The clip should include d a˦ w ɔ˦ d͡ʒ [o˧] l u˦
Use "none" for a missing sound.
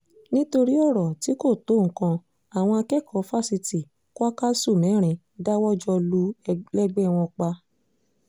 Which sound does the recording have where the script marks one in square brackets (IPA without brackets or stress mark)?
ɔ˧